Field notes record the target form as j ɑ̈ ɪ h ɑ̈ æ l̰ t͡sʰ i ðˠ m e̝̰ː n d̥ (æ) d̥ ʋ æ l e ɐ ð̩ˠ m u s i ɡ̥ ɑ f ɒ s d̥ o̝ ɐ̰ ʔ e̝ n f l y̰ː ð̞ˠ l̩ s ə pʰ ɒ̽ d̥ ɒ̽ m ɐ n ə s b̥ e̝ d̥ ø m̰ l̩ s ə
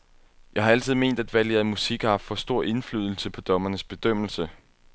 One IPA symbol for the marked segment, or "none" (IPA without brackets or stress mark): æ